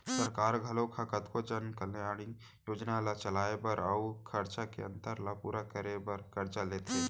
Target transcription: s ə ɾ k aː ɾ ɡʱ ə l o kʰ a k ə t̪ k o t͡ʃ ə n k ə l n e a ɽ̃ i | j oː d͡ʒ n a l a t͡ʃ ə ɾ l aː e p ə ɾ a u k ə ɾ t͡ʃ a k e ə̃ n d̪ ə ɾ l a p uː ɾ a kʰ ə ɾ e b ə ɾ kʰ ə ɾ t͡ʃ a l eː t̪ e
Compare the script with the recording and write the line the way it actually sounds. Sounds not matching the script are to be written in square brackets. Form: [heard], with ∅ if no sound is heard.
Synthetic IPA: s ə ɾ k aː ɾ ɡʱ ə l o kʰ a k ə t̪ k o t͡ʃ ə n k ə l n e a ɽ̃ i | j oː d͡ʒ n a l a t͡ʃ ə [∅] l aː e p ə ɾ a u [kʰ] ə ɾ t͡ʃ a k e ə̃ n [t̪] ə ɾ l a p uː ɾ a [k] ə ɾ e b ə ɾ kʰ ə ɾ t͡ʃ a l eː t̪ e